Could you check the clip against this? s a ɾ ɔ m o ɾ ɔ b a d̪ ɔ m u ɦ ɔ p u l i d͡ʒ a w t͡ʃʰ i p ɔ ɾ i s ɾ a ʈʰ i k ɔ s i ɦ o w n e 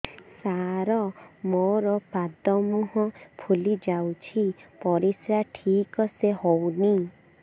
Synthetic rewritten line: s a ɾ ɔ m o ɾ ɔ p a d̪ ɔ m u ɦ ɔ pʰ u l i d͡ʒ a w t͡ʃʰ i p ɔ ɾ i s ɾ a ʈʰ i k ɔ s e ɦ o w n i